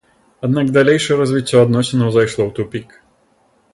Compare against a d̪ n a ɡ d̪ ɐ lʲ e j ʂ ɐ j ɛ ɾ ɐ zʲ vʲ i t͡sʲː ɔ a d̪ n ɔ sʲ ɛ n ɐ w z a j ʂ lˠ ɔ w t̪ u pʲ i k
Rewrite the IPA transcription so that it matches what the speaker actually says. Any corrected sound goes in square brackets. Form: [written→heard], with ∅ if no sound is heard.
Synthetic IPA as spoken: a d̪ n a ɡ d̪ [ɐ→a] lʲ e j ʂ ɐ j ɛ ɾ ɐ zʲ vʲ i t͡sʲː ɔ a d̪ n ɔ sʲ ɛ n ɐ w z a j ʂ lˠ ɔ w t̪ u pʲ i k